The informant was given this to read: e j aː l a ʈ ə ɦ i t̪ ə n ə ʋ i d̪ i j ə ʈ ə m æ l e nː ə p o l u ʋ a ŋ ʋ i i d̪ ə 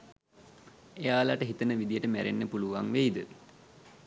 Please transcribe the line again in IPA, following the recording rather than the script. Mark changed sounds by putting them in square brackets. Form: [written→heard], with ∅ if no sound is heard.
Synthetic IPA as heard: e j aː l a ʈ ə ɦ i t̪ ə n ə ʋ i d̪ i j ə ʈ ə m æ [l→ɾ] e nː ə p [o→u] l u ʋ a ŋ ʋ [i→e] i d̪ ə